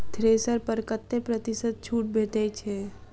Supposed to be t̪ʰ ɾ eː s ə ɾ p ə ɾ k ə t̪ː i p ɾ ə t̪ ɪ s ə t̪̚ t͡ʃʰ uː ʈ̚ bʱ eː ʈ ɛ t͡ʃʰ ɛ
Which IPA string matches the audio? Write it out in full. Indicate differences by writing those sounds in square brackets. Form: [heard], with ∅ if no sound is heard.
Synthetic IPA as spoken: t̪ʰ ɾ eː s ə ɾ p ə ɾ k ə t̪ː [e] p ɾ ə t̪ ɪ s ə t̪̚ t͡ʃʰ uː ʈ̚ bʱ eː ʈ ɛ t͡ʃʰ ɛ